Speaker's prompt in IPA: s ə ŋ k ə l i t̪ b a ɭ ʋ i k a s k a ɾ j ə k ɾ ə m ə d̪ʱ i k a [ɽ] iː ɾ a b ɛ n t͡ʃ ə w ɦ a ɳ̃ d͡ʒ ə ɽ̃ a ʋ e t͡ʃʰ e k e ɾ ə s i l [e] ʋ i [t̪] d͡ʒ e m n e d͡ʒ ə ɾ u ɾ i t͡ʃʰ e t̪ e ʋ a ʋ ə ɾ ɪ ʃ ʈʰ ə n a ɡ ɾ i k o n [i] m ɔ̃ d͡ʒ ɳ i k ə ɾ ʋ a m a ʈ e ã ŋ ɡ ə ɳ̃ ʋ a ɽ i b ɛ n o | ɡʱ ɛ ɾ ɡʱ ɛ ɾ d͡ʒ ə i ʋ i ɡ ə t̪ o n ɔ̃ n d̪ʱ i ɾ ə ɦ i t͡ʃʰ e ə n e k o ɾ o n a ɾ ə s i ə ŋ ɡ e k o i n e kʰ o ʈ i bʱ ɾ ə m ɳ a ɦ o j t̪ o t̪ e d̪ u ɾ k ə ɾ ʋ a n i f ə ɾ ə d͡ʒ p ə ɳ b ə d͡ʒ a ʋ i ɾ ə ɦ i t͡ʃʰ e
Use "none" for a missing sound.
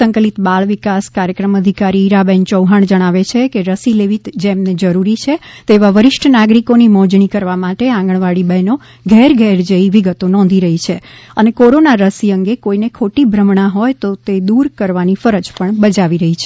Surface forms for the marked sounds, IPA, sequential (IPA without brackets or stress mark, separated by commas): ɾ, e, t̪, i